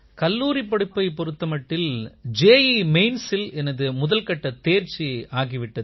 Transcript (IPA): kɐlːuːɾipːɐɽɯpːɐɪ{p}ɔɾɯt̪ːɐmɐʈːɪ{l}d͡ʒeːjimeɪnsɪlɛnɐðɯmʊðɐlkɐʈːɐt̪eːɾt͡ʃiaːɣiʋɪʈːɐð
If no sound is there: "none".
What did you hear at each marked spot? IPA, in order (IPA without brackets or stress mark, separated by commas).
p, l